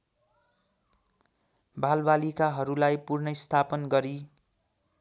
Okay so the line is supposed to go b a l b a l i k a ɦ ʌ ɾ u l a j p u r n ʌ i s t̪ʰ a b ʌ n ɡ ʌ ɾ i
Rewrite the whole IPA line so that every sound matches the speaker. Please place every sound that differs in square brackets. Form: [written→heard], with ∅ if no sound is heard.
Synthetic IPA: b a l b a l i k a ɦ ʌ ɾ u l a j p u r n ʌ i s t̪ʰ a [b→p] ʌ n ɡ ʌ ɾ i